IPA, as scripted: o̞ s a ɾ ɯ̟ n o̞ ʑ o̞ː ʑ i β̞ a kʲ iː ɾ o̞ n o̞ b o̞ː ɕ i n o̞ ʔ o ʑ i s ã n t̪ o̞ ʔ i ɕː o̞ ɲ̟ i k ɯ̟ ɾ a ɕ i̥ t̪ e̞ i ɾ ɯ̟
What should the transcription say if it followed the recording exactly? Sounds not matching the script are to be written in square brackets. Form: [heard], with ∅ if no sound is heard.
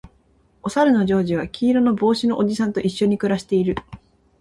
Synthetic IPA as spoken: o̞ s a ɾ ɯ̟ n o̞ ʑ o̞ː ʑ i β̞ a kʲ iː ɾ o̞ n o̞ b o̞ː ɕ i n o̞ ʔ o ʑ i s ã n t̪ o̞ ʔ i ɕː o̞ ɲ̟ i k ɯ̟ ɾ a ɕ i̥ t̪ e̞ i ɾ ɯ̟